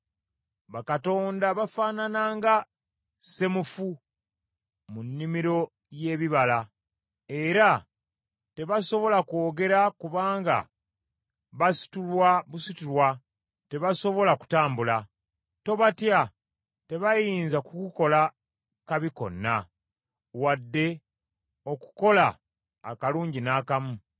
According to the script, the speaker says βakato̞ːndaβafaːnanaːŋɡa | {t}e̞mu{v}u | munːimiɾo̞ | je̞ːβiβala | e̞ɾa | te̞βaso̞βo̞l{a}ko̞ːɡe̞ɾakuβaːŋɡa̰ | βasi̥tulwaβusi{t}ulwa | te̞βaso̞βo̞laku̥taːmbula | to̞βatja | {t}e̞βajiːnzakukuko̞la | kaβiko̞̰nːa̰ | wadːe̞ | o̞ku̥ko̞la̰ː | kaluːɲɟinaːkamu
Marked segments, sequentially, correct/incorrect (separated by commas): incorrect, incorrect, correct, correct, correct